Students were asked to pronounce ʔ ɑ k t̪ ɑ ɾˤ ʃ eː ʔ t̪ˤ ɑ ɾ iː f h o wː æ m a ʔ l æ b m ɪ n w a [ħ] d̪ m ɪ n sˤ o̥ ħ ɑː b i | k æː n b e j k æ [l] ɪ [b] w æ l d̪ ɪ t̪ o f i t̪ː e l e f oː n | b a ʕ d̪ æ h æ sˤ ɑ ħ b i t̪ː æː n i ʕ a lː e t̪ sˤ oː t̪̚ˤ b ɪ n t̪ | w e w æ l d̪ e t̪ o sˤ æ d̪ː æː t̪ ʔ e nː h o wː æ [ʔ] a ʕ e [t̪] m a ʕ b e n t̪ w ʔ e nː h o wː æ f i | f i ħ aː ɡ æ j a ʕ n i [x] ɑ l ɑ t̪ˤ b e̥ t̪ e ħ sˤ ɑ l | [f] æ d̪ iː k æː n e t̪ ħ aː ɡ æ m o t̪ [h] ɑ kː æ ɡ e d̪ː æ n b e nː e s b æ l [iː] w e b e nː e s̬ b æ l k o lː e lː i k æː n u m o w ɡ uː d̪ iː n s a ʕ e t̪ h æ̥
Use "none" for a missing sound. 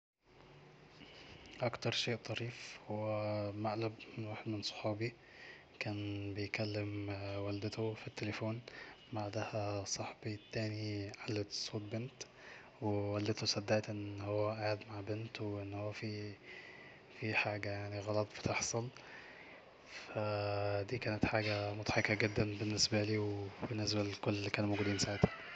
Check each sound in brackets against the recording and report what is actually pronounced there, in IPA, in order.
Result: ħ, lː, m, ʔ, d̪, ɣ, f, ħ, iː

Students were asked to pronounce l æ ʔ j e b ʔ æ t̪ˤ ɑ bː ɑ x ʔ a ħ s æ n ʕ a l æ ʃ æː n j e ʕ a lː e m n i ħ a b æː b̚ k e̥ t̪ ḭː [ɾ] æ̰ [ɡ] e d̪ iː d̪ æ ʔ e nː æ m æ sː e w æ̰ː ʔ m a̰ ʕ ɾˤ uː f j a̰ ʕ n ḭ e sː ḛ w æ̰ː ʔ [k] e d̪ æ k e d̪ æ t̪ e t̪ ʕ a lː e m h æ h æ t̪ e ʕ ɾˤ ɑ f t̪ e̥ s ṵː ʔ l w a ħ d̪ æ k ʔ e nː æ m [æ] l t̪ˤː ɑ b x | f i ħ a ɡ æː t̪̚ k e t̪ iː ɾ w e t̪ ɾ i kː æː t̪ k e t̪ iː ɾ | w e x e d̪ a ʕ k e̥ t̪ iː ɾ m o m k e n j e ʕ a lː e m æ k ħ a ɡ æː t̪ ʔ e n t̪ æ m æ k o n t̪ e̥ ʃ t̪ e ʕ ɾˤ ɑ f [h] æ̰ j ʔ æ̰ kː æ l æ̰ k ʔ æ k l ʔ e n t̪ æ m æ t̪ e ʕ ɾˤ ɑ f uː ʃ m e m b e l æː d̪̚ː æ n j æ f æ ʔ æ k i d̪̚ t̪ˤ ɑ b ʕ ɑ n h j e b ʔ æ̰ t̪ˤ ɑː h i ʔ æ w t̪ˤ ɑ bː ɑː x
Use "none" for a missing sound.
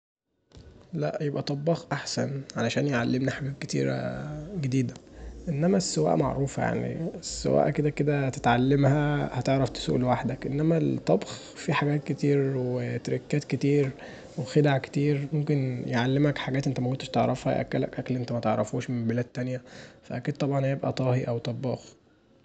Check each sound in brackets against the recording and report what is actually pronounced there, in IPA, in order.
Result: ɾ, ɡ, k, æ, h

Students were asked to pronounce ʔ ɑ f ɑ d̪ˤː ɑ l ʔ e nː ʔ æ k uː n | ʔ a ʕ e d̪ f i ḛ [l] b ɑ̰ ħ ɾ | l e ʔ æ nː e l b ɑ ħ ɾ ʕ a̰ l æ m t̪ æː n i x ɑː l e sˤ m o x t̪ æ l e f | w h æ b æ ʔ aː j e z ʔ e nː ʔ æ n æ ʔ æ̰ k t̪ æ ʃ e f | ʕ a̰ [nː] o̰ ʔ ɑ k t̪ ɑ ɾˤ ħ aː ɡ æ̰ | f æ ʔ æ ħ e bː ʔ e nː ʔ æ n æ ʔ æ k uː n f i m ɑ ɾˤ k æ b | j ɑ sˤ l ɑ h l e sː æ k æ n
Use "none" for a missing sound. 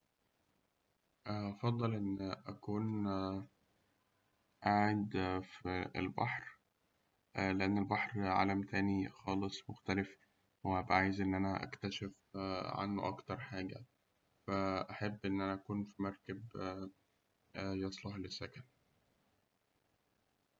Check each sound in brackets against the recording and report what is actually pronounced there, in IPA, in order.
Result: l, nː

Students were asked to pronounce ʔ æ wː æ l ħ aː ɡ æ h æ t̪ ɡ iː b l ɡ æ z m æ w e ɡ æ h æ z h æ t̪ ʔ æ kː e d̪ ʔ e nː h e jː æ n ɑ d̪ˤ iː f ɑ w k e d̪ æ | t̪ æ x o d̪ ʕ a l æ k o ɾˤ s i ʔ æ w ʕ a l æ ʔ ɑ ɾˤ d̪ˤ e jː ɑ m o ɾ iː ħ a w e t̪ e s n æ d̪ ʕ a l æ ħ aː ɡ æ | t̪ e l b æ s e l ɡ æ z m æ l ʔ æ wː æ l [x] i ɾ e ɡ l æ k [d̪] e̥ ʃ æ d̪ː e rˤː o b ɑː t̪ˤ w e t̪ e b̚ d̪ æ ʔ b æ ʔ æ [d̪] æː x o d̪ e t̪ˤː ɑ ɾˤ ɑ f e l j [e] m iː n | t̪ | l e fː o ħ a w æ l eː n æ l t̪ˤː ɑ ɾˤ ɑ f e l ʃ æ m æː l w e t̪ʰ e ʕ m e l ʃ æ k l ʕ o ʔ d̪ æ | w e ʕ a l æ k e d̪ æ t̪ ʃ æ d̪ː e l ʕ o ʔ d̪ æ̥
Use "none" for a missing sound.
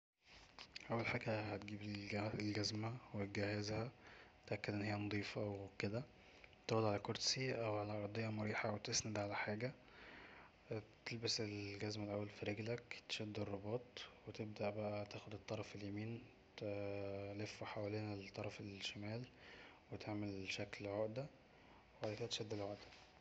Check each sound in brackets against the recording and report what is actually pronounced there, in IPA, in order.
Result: f, t̪, t̪, æ

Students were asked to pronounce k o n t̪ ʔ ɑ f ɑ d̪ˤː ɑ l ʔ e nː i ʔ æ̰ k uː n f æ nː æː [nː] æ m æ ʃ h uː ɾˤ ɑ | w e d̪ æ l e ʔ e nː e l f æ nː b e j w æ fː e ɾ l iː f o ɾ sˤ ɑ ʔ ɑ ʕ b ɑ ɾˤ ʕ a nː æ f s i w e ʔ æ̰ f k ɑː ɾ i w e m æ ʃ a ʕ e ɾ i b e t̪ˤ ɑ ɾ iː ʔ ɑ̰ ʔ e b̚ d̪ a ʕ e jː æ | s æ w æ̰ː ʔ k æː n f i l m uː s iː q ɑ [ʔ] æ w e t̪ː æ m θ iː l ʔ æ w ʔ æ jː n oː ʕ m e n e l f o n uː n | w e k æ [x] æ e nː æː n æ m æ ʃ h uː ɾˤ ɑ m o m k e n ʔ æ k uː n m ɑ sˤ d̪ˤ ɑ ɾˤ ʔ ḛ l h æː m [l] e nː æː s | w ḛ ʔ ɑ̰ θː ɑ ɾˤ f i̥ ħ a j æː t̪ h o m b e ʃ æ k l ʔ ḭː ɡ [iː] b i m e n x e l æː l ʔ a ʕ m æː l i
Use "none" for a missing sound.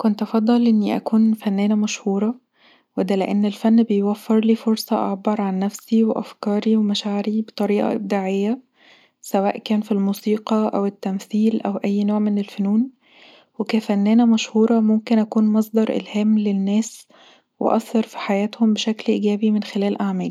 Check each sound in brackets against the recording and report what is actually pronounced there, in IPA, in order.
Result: n, ʔ, f, l, æː

